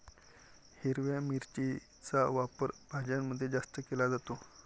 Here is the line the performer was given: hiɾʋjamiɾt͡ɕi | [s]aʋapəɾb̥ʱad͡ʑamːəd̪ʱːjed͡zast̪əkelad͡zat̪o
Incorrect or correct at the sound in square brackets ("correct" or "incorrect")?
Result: incorrect